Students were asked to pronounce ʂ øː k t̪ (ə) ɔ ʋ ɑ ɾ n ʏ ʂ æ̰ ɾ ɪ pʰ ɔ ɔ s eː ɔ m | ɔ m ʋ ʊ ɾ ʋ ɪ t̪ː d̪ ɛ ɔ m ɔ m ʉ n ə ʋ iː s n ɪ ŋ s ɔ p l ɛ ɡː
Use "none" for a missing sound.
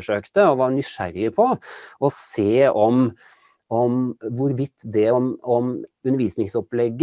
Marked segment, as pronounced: ə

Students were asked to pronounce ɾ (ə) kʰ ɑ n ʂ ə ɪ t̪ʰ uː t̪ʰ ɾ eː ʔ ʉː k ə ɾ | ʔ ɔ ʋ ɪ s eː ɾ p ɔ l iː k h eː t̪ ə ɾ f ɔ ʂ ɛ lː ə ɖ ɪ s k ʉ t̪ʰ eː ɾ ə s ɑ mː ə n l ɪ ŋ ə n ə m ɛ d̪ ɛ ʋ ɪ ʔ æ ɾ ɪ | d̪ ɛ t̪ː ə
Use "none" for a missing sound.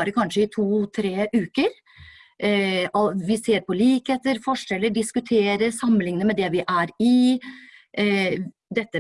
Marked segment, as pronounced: ə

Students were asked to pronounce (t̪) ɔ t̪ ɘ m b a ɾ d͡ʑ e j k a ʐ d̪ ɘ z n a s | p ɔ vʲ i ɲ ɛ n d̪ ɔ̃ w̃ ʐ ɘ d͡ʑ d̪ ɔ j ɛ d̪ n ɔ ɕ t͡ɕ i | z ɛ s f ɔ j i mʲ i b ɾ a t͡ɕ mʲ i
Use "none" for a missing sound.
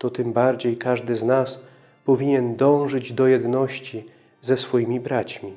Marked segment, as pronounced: t̪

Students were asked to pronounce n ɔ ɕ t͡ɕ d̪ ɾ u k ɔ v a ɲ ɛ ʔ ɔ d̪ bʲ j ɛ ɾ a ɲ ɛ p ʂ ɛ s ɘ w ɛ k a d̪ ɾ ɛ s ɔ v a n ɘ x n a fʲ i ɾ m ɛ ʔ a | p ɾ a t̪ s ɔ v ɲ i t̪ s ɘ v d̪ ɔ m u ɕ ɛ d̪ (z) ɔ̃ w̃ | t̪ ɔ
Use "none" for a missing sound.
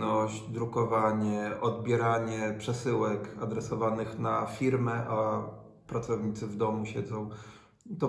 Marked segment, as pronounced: z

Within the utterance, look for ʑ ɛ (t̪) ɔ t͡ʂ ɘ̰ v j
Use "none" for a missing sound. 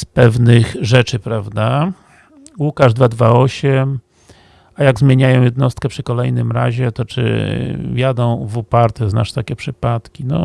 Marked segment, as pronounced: t̪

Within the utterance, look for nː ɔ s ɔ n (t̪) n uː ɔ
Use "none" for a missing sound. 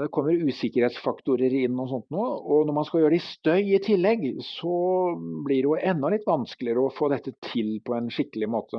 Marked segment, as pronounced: t̪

